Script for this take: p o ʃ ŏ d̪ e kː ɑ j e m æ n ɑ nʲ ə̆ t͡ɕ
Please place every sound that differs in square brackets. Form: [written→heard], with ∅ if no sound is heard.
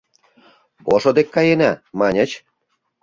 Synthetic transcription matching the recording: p o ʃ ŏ d̪ e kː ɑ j e [m→n] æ [n→m] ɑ nʲ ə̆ t͡ɕ